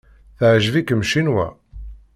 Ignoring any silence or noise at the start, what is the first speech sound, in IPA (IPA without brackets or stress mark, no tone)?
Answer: θ